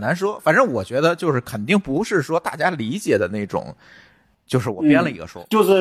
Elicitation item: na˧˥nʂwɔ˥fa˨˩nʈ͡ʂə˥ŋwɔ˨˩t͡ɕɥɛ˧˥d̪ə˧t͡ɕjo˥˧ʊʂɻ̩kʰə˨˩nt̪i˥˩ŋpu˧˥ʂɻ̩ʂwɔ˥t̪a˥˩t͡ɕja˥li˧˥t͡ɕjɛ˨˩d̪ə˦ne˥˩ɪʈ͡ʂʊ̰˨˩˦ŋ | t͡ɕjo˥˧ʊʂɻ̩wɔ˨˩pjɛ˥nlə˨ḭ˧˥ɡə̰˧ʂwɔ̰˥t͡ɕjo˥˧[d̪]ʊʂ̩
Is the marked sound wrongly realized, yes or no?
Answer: yes